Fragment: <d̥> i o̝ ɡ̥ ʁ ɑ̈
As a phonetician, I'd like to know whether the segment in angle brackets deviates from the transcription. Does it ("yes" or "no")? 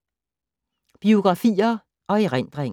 yes